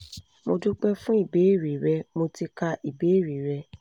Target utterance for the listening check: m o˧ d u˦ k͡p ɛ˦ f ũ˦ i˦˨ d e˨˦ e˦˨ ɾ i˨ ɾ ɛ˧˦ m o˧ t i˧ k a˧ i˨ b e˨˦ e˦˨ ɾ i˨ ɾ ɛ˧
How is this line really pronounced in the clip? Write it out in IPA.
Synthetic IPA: m o˧ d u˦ k͡p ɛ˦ f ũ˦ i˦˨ b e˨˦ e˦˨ ɾ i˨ ɾ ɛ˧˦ m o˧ t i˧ k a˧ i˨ b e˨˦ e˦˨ ɾ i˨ ɾ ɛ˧